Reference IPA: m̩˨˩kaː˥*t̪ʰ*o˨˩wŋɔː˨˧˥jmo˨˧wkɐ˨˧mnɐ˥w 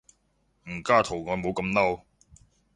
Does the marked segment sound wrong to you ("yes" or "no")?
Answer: no